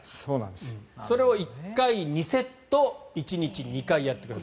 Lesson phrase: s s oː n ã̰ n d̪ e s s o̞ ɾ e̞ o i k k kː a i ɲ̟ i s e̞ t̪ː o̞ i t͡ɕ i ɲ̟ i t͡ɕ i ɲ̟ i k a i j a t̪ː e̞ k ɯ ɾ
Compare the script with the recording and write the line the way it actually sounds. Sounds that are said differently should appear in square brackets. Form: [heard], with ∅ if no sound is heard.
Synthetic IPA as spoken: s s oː n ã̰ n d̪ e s s o̞ ɾ e̞ o i k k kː a i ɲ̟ i s e̞ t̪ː o̞ i t͡ɕ i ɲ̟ i t͡ɕ i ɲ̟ i k a i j a t̪ː e̞ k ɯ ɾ